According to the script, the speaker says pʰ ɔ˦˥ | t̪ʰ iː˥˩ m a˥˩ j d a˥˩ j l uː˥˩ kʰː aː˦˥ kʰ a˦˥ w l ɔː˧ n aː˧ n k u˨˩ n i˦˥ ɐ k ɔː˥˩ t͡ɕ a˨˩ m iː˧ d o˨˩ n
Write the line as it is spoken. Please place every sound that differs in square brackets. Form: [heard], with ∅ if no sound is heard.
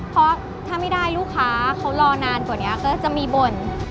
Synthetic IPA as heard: pʰ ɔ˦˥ | t̪ʰ [aː˥˩] m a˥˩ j d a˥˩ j l uː˥˩ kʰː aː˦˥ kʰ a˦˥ w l ɔː˧ n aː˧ n k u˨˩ n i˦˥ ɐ k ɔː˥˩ t͡ɕ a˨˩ m iː˧ [b] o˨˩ n